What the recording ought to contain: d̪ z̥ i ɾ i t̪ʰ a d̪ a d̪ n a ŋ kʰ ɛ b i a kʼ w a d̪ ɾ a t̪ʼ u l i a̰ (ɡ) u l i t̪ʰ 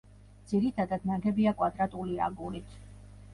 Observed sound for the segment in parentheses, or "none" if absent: ɡ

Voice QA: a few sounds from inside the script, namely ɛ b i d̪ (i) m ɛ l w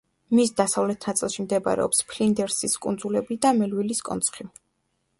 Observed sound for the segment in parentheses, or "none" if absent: a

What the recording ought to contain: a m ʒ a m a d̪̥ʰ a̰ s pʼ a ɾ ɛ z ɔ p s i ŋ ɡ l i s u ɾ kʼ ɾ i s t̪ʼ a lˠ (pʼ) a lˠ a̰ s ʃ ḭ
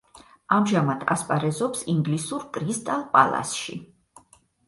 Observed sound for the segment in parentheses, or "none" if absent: pʼ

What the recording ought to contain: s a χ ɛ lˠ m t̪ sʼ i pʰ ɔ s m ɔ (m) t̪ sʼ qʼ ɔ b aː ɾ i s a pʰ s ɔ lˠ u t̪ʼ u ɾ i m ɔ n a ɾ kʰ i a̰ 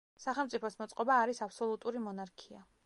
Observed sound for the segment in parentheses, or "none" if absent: none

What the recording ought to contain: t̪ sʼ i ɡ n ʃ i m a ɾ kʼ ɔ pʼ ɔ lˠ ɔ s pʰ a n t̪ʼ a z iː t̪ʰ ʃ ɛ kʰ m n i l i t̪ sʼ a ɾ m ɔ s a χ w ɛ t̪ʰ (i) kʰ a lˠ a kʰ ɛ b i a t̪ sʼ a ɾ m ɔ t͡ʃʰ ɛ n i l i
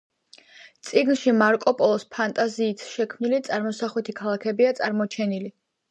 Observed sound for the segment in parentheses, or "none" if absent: i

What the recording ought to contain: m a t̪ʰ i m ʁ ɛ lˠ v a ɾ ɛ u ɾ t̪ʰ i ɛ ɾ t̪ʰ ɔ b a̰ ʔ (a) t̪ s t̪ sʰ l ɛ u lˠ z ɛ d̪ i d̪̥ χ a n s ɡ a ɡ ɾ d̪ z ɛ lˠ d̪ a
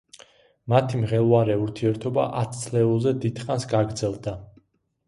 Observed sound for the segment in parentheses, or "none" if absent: a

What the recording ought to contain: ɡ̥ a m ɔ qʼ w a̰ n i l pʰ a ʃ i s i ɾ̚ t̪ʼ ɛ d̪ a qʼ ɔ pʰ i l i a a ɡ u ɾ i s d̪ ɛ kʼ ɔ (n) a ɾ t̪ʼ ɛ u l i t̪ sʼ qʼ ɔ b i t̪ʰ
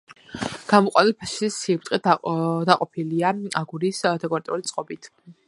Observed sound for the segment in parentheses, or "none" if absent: none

